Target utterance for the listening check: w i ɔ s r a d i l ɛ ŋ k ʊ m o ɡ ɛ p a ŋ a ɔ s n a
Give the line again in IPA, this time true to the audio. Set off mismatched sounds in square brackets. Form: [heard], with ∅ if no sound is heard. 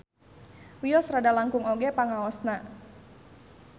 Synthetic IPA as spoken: w i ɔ s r a d [a] l [a] ŋ k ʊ [ŋ] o ɡ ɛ p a ŋ a ɔ s n a